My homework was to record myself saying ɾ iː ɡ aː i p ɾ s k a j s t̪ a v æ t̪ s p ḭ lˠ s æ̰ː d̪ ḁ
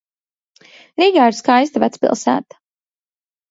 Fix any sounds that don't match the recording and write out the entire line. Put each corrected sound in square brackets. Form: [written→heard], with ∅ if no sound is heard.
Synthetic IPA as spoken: ɾ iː ɡ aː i [p→∅] ɾ s k a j s t̪ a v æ t̪ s p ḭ lˠ s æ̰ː [d̪→t̪] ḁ

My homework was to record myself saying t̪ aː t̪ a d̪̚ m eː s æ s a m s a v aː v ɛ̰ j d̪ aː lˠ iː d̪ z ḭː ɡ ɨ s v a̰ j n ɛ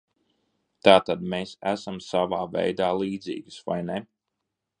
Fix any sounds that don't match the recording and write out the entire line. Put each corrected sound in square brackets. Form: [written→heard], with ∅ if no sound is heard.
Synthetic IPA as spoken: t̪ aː t̪ a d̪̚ m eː s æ s a m s a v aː v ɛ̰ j d̪ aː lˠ iː d̪ z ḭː ɡ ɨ s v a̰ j n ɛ

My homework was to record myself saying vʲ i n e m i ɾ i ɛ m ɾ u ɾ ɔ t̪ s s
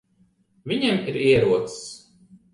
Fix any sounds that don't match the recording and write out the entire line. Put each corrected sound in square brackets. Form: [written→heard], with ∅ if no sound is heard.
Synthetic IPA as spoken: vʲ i [n→ɲ] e m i ɾ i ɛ [m→∅] ɾ u [ɾ→∅] ɔ t̪ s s

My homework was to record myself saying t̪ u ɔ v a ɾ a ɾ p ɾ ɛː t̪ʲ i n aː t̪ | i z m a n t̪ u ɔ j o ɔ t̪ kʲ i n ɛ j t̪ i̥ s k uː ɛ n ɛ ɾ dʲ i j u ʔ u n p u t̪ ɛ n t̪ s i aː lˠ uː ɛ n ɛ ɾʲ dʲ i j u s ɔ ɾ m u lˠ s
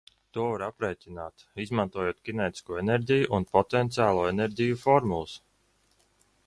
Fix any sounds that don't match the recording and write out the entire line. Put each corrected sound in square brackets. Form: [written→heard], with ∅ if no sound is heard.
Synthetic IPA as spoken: t̪ u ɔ v a ɾ a [ɾ→∅] p ɾ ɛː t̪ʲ i n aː t̪ | i z m a n t̪ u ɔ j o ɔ t̪ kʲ i n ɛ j t̪ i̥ s k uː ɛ n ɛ ɾ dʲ i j u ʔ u n p [u→ɔ] t̪ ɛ n t̪ s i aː lˠ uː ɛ n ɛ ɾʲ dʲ i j u [s→f] ɔ ɾ m u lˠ s

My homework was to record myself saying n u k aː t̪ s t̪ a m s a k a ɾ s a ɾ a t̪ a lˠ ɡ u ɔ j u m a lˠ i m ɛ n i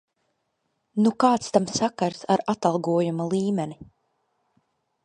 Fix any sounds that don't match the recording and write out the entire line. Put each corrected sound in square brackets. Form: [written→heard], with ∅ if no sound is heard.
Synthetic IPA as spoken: n u k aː t̪ s t̪ a m s a k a ɾ s a ɾ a t̪ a lˠ ɡ u ɔ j u m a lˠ [i→iː] m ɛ n i

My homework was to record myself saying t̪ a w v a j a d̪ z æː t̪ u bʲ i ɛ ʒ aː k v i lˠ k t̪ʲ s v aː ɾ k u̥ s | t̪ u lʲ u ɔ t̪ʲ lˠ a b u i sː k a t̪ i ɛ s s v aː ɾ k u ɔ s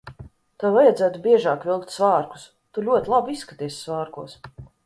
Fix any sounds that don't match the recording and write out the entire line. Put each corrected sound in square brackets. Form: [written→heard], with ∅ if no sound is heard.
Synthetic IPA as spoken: t̪ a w v a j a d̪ z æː t̪ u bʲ i ɛ ʒ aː k v i lˠ k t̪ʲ s v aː ɾ k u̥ s | t̪ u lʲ u ɔ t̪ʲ lˠ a b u i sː k a t̪ i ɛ s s v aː ɾ k u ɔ s

